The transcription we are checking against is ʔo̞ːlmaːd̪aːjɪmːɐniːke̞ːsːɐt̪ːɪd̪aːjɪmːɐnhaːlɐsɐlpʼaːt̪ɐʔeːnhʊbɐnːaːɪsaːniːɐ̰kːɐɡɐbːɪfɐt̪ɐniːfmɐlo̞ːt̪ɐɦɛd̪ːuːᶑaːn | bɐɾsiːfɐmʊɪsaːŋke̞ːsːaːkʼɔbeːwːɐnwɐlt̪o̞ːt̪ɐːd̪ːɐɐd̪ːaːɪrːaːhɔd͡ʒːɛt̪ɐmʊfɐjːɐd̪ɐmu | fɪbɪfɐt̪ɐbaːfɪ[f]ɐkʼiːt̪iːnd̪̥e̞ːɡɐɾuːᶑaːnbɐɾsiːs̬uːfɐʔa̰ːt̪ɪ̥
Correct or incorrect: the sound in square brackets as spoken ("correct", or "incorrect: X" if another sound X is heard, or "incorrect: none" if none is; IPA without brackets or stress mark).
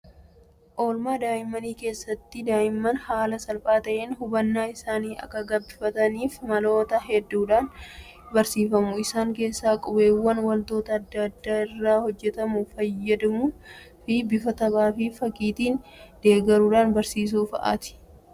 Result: correct